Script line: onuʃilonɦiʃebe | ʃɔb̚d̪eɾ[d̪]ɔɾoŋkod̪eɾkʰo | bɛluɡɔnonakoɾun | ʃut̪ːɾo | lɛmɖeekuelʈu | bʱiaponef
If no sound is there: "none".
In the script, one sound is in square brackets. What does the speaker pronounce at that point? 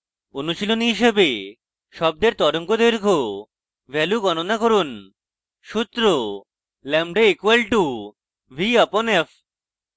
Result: t̪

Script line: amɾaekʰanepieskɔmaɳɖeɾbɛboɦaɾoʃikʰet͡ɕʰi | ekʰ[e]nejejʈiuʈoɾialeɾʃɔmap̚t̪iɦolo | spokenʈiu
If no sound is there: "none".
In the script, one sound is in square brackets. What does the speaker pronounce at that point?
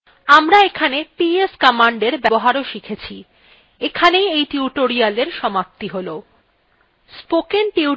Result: a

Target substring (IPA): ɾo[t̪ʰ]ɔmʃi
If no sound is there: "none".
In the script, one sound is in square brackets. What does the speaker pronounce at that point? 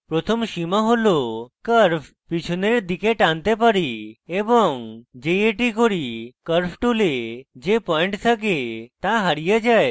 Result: t̪ʰ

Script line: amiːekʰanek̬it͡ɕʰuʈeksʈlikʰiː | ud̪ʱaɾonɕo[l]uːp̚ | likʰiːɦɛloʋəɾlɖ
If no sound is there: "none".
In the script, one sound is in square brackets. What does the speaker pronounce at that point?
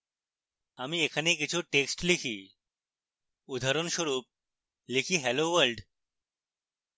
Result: ɾ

